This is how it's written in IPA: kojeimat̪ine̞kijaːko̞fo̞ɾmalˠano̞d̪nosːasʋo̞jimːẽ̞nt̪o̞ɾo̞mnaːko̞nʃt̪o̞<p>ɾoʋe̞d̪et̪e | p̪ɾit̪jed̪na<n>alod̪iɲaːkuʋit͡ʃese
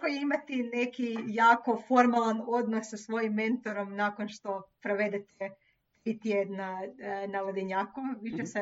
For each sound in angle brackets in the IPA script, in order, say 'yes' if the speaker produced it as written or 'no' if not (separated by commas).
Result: yes, yes